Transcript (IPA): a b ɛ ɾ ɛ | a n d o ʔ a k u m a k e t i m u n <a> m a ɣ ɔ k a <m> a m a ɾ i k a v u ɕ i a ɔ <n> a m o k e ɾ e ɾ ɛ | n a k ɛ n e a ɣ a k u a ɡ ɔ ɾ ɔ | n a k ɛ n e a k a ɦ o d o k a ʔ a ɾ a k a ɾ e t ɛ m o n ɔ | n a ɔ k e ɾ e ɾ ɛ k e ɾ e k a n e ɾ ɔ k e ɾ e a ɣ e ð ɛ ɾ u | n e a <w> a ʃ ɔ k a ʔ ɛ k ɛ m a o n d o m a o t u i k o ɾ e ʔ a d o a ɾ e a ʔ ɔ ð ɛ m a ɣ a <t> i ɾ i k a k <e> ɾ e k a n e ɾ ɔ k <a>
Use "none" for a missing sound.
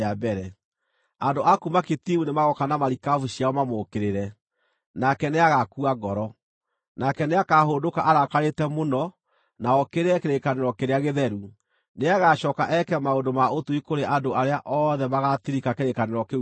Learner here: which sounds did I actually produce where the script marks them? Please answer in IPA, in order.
e, n, m, ɣ, t, e, e

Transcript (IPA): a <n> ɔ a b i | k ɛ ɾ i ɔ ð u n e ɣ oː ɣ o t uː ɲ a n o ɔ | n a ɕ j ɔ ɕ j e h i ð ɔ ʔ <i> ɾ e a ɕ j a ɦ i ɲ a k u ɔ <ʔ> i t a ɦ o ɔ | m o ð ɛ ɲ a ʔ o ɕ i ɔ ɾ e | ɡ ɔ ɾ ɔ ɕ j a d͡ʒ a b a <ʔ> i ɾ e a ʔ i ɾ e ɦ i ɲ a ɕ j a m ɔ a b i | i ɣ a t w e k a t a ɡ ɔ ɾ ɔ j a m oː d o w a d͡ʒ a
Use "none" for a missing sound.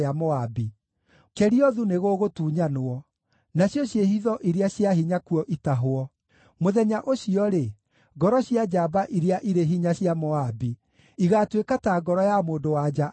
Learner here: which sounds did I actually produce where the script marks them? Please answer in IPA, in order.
m, i, ʔ, ʔ

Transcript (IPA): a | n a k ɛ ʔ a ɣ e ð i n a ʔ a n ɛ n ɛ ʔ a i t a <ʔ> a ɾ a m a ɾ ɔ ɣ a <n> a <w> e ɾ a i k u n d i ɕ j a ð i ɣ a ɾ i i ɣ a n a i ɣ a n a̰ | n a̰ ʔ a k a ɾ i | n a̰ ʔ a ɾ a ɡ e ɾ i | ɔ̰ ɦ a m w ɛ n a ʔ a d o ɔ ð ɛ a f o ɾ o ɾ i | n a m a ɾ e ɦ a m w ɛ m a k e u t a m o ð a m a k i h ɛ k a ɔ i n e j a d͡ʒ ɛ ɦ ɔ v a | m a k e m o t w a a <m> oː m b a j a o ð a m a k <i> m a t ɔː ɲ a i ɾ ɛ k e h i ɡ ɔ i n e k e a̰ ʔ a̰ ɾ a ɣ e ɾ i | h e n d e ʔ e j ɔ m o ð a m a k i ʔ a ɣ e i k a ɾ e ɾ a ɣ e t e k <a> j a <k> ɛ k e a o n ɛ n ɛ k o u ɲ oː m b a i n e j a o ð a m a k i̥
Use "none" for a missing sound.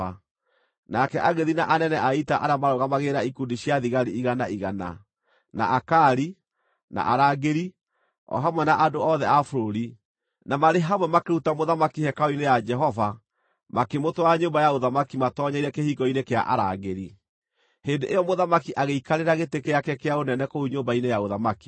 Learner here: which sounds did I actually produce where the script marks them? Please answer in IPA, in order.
ʔ, m, ɣ, ɲ, i, e, k

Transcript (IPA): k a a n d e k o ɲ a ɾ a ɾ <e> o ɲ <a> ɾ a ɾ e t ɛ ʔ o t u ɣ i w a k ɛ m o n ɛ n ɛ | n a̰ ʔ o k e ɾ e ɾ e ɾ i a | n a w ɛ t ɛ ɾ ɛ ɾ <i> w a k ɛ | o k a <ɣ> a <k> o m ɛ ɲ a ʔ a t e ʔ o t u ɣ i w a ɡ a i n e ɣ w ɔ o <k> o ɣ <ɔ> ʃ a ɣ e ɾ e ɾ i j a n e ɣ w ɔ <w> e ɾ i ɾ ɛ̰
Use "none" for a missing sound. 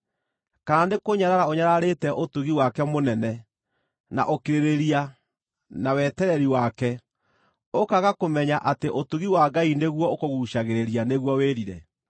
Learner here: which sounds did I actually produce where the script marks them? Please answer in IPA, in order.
a, a, i, ɣ, k, k, u, w

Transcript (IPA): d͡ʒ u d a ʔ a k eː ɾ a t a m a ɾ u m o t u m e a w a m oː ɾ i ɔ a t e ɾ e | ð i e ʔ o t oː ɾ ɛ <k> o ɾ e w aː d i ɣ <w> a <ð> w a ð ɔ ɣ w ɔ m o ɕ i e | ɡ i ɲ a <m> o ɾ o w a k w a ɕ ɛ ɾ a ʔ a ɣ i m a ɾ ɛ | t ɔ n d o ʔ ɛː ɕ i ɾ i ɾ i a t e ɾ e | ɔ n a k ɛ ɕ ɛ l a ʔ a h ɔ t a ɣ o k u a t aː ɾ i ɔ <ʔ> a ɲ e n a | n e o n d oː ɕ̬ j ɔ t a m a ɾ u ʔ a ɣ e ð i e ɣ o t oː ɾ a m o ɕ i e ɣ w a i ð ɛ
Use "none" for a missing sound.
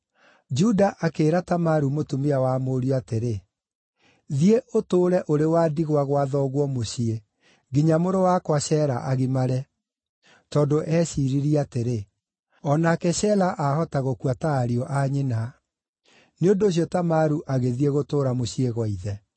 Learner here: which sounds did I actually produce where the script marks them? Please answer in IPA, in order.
ʔ, w, ɣ, m, ʔ

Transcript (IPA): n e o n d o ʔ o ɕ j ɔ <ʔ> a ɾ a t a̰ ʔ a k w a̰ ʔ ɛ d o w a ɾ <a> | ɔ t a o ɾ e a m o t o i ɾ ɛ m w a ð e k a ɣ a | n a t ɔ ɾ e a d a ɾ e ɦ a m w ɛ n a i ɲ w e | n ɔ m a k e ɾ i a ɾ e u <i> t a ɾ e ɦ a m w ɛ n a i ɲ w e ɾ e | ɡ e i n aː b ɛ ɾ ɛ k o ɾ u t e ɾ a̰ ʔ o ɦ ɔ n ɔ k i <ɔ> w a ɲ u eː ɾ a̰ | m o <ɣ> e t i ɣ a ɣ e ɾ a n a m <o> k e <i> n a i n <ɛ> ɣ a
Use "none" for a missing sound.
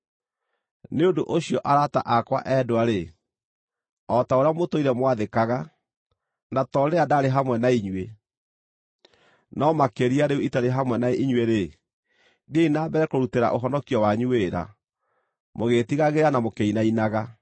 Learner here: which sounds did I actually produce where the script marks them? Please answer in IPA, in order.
ʔ, e, i, ɔ, ɣ, o, i, a

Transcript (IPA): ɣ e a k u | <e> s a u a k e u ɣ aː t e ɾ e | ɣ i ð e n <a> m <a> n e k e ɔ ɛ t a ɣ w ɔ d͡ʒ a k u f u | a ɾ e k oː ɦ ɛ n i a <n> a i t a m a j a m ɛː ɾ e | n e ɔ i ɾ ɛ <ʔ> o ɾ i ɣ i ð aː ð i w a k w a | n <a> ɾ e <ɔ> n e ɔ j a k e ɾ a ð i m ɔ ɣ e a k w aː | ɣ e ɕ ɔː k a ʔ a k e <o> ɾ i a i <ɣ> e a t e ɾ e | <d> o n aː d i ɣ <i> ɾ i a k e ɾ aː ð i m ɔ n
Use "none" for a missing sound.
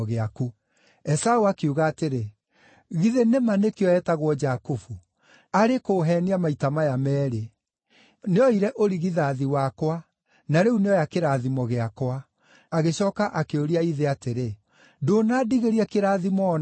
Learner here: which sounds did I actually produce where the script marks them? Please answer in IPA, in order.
ɛ, e, a, m, ʔ, a, u, o, ð, d, e

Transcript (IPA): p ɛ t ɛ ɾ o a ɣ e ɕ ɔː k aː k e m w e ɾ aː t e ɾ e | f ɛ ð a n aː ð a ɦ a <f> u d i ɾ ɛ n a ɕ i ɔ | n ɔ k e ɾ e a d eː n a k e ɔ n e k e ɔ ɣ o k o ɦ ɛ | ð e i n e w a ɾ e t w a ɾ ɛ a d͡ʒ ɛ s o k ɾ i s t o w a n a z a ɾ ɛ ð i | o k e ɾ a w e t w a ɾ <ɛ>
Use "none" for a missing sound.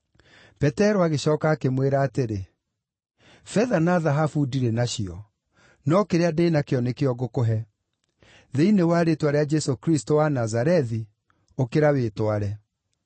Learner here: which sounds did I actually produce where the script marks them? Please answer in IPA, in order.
f, ɛ

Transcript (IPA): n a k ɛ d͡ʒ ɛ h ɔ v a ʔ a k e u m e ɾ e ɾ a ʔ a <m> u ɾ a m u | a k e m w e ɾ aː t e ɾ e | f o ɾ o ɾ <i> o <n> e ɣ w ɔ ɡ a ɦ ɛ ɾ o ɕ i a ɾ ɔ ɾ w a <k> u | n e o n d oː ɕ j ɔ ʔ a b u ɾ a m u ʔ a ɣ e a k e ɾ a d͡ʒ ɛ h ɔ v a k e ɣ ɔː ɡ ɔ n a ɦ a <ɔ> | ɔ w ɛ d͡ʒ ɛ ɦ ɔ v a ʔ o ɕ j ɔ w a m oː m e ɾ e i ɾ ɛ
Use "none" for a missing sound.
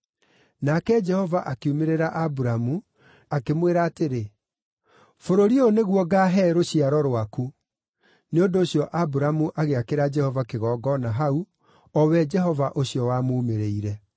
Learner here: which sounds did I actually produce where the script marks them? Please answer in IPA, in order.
b, i, n, k, u

